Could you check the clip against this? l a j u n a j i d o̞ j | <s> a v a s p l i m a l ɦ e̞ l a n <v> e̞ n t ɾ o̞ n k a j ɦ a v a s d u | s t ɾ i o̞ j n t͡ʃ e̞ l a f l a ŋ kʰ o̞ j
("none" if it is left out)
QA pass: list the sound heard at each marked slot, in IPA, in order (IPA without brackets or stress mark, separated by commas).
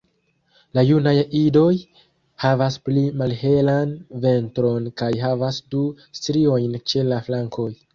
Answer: h, v